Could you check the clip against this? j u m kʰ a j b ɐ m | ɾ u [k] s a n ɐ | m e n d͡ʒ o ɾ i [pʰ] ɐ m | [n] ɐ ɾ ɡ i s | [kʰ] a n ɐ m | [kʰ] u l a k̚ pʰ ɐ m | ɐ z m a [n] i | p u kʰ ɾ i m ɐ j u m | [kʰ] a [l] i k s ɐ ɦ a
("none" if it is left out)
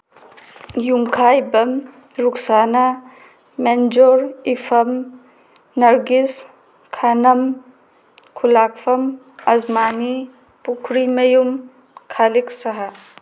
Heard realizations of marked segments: k, pʰ, n, kʰ, kʰ, n, kʰ, l

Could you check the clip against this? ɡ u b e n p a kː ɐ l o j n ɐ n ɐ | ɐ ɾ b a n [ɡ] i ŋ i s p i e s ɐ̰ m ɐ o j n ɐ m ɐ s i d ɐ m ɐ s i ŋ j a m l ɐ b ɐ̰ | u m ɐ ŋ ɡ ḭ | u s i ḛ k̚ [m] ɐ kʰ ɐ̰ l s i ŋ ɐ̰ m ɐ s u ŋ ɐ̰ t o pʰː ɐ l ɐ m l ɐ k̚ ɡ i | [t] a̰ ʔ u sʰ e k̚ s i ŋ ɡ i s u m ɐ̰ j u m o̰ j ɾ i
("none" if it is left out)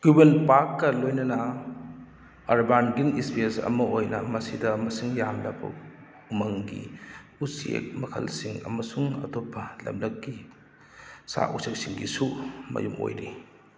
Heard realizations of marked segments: ɡ, m, s

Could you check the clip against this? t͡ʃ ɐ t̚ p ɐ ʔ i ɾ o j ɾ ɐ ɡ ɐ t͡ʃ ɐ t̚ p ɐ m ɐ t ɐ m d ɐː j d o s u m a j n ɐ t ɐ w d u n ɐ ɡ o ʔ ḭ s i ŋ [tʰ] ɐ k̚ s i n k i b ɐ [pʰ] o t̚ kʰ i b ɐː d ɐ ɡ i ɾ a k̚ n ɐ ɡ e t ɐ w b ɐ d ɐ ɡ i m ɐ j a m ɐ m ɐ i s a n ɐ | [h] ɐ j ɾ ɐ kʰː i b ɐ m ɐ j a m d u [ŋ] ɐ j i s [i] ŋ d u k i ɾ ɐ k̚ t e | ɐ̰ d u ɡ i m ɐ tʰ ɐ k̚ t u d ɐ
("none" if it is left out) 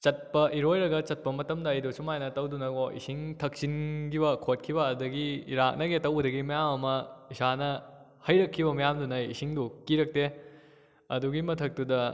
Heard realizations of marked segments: tʰ, kʰ, h, n, i

